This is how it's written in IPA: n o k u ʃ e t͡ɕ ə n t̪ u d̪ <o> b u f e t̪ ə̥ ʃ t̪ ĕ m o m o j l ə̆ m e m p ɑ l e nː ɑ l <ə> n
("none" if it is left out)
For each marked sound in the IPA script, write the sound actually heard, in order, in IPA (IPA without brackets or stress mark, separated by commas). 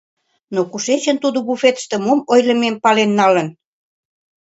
o, ə